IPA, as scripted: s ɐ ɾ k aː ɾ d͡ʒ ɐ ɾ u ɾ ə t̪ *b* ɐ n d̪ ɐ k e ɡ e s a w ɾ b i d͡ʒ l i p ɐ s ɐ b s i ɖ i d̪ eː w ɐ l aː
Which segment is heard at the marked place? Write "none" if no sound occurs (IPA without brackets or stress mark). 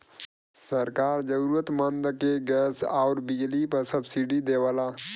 m